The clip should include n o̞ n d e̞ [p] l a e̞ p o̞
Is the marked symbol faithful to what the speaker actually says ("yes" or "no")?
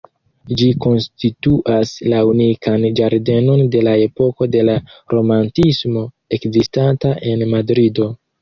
no